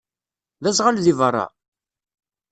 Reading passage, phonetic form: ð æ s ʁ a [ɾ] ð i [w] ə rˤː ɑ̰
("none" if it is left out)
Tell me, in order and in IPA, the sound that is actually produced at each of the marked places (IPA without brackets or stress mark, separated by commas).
l, v